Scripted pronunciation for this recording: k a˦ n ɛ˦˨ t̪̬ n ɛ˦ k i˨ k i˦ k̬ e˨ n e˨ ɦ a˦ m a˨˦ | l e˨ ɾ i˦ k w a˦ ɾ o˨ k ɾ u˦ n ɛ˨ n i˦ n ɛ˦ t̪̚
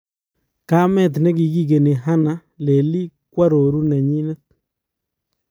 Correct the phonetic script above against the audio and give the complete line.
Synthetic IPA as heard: k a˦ m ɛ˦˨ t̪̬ n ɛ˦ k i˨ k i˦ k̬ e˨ n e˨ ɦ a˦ n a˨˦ | l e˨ l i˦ k w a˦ ɾ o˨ ɾ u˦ n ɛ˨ ɲ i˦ n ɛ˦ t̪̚